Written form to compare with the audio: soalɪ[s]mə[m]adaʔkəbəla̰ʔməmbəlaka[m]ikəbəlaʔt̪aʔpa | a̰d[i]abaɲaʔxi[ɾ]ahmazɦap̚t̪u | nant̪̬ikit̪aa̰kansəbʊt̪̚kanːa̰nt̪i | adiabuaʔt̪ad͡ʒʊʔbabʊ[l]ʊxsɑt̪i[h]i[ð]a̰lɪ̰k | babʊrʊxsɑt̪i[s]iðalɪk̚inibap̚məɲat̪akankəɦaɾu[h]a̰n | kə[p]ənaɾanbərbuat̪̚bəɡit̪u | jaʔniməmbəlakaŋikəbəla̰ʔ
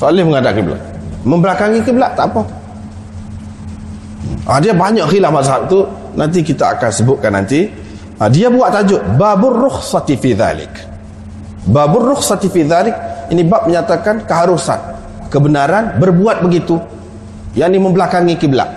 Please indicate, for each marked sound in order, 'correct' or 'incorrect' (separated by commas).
incorrect, incorrect, incorrect, correct, incorrect, incorrect, incorrect, correct, incorrect, incorrect, incorrect